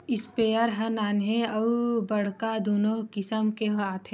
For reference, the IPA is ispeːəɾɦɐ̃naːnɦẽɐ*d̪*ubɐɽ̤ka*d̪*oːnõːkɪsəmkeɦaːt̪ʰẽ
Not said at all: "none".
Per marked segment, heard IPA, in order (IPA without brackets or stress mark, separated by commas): none, d̪